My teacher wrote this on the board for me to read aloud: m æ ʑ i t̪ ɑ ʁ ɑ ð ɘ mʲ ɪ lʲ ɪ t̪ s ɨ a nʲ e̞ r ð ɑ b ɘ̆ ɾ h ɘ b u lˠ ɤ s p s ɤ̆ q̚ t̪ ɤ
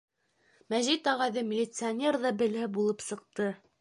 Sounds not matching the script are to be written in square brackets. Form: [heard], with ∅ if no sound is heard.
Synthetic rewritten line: m æ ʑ i t̪ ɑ ʁ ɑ ð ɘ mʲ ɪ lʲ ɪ t̪ s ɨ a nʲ e̞ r ð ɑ b ɘ̆ [l] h ɘ b u lˠ ɤ [∅] p s ɤ̆ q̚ t̪ ɤ